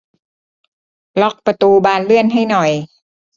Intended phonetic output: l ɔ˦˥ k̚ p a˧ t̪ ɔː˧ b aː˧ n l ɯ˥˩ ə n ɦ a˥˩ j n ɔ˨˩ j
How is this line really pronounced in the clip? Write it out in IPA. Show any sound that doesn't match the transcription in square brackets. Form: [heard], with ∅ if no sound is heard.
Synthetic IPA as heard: l ɔ˦˥ k̚ p a˧ t̪ [uː˧] b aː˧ n l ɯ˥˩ ə n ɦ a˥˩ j n ɔ˨˩ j